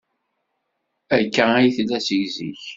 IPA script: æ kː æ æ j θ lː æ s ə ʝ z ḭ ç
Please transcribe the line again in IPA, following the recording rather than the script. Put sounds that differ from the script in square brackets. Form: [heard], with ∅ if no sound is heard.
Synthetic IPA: æ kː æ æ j θ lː æ s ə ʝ z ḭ ç